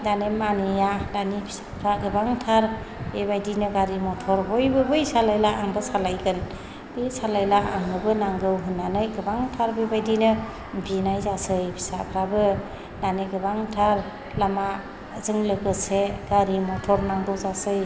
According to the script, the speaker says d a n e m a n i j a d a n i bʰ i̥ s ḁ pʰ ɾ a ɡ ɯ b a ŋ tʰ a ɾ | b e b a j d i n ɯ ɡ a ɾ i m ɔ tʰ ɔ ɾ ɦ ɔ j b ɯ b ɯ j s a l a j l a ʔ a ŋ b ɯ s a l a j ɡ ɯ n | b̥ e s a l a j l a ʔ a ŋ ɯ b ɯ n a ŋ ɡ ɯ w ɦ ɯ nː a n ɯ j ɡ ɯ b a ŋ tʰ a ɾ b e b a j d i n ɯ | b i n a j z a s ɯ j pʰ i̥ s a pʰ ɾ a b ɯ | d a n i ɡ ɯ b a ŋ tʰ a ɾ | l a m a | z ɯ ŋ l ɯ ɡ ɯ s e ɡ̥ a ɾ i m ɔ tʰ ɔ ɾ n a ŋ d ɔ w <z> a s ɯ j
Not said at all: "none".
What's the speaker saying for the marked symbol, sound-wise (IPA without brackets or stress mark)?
z